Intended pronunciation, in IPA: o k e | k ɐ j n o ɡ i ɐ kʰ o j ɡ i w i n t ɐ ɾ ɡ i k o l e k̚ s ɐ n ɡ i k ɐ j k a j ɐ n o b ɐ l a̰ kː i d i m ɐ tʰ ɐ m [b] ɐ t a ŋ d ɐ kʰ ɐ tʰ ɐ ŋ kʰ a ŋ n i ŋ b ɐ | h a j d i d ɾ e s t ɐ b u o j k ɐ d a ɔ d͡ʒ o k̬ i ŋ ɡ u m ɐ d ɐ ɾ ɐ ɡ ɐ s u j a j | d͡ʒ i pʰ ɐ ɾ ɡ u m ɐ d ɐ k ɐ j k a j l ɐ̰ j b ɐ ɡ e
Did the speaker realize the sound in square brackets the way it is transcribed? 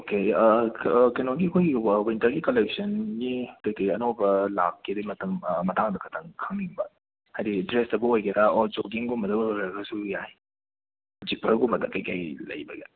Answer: no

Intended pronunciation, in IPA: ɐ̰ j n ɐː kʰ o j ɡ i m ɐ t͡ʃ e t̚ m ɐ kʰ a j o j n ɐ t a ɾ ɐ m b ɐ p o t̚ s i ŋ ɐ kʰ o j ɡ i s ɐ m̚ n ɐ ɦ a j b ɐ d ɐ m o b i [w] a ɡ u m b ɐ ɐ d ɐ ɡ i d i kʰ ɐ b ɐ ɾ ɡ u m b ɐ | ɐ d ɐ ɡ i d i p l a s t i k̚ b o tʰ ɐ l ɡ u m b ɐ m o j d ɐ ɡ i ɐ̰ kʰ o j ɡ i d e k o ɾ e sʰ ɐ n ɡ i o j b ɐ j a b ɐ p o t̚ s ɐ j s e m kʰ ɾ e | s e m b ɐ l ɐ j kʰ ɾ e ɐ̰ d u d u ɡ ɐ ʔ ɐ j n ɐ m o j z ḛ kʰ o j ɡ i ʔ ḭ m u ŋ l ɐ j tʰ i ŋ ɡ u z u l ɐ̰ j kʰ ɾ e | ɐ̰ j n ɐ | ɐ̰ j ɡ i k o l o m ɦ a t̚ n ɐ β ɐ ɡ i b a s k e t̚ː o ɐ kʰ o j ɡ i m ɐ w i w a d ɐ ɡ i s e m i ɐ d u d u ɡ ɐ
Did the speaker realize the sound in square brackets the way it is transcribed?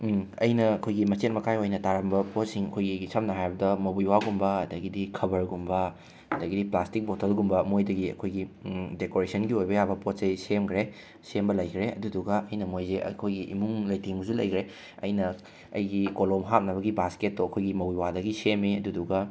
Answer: yes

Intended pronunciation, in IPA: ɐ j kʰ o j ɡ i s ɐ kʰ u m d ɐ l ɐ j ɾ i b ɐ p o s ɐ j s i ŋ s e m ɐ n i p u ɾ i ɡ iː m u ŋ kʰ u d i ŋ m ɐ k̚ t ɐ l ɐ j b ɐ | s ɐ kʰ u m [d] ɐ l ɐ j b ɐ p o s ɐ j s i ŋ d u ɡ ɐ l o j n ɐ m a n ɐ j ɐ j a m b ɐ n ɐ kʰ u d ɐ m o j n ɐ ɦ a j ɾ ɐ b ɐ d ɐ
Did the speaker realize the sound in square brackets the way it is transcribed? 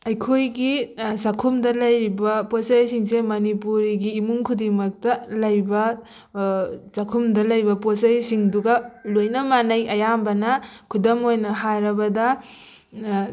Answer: yes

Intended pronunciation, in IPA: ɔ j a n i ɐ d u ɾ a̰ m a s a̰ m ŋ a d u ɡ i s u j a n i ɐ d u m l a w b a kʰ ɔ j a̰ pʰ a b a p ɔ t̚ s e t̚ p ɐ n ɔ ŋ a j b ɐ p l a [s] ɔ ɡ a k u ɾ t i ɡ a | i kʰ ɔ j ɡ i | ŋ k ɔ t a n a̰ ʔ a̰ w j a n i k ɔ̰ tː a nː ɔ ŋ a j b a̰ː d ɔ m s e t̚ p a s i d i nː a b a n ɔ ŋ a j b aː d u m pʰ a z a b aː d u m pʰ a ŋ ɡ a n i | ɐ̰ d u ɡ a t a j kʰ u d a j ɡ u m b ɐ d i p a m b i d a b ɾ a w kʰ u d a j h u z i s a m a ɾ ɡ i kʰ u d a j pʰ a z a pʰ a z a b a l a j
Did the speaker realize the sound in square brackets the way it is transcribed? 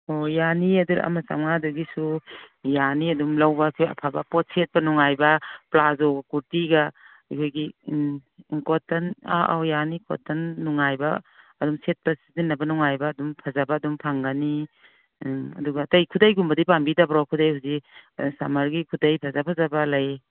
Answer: no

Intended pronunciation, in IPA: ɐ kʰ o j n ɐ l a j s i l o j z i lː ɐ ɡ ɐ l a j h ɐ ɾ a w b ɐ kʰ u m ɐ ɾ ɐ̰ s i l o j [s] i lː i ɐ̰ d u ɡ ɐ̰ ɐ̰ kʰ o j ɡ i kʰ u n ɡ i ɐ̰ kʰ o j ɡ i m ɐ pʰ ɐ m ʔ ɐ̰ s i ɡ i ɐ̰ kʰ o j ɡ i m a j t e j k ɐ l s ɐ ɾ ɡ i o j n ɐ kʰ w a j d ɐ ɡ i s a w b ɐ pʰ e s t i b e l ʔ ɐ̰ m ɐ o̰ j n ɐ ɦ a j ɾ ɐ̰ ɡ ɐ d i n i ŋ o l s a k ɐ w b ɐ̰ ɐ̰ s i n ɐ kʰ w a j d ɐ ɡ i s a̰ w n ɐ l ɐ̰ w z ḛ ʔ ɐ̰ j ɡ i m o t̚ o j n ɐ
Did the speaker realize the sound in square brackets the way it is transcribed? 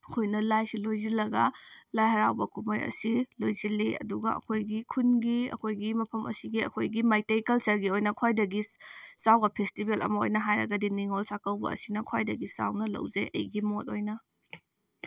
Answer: no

